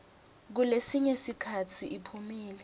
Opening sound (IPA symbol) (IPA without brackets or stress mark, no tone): k̬